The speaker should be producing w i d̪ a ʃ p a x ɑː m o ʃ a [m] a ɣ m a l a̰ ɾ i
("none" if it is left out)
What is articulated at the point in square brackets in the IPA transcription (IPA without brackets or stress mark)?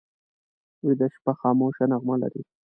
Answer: n